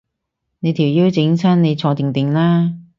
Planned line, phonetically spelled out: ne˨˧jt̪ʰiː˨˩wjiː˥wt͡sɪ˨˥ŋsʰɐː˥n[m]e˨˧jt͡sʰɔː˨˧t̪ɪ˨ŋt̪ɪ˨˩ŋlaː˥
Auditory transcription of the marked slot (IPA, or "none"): n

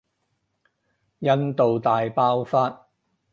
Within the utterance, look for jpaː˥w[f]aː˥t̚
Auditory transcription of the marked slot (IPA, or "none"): f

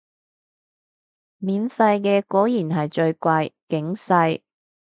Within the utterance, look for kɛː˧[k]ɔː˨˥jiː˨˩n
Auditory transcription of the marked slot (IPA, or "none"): k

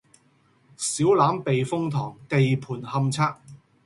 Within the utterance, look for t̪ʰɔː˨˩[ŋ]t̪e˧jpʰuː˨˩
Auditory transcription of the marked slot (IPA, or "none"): ŋ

